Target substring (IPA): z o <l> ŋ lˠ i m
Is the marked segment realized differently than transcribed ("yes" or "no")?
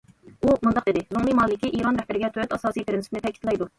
yes